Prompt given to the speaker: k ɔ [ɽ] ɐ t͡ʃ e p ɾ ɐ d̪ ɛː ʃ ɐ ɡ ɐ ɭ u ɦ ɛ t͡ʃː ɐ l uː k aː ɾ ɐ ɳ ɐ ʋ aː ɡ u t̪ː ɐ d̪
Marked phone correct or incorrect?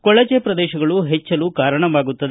incorrect